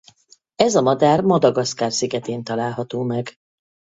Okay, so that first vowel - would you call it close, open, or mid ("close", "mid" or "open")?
mid